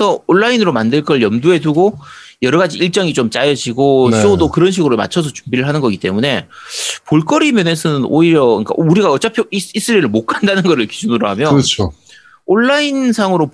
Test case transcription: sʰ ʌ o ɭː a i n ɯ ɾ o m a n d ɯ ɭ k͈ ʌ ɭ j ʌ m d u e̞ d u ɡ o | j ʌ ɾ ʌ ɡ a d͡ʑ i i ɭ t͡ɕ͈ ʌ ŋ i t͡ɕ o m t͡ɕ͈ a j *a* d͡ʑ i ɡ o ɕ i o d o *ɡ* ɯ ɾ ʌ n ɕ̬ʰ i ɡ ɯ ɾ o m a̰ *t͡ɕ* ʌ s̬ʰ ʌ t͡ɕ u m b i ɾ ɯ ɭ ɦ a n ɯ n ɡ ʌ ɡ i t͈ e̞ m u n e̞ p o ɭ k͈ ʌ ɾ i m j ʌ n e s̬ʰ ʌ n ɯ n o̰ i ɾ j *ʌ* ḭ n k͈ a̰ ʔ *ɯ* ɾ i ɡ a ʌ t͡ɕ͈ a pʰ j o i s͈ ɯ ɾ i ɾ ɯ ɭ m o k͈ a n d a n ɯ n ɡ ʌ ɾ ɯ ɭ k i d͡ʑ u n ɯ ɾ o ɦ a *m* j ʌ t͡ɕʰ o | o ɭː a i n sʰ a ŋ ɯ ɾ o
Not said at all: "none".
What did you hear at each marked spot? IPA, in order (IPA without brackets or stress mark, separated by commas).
ʌ, k, t͡ɕʰ, ʌ, u, m